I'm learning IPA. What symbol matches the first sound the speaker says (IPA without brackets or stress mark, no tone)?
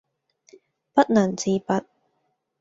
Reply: p